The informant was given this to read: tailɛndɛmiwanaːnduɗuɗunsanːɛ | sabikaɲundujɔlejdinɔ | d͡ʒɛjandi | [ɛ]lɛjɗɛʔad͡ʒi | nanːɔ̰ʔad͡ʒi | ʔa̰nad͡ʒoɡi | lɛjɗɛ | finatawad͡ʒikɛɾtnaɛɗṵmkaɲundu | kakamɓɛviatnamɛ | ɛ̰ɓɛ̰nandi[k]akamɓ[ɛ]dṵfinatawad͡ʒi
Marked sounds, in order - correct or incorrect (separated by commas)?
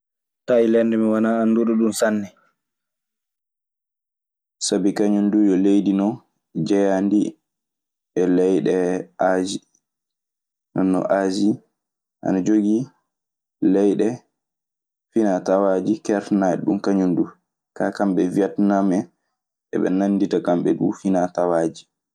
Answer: correct, incorrect, correct